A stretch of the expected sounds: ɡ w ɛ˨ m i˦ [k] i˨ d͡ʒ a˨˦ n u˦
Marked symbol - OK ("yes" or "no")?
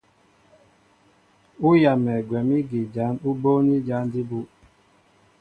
no